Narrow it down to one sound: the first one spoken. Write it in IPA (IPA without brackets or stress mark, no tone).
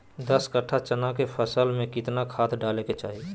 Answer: d̪